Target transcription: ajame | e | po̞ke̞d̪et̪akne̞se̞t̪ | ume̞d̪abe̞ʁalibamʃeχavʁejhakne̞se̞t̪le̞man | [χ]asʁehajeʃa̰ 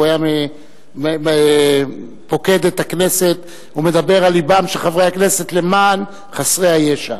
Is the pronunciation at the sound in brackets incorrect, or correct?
correct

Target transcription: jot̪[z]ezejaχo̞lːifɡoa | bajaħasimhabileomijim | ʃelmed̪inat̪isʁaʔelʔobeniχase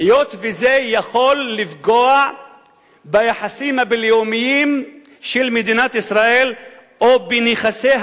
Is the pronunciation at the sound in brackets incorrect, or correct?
incorrect: v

